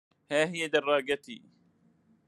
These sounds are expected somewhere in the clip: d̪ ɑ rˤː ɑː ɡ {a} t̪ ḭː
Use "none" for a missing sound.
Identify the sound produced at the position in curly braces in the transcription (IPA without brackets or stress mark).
a